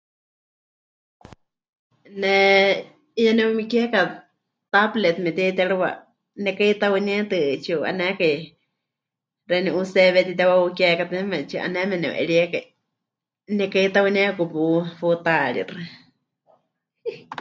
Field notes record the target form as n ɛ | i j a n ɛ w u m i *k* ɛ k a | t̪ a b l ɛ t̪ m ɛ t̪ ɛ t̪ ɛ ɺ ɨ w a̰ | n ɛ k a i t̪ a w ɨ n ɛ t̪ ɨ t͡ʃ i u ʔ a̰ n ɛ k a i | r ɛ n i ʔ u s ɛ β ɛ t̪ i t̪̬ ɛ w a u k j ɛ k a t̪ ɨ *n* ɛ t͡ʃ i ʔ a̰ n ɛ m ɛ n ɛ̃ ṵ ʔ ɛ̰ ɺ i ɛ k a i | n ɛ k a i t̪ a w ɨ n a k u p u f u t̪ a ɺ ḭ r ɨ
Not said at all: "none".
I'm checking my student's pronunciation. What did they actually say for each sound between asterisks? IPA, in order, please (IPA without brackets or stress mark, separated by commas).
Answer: k, m